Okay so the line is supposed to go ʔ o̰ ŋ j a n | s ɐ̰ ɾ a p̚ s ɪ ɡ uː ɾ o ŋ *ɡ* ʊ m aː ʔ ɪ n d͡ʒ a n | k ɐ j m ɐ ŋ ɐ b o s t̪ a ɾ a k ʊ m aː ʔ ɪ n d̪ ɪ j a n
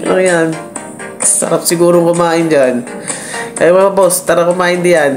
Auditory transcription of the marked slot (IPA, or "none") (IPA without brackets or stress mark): k